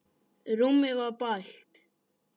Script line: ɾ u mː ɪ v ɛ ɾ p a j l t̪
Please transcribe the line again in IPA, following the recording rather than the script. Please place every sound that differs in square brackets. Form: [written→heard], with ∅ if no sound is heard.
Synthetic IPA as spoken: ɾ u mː ɪ v [ɛ→a] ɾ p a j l t̪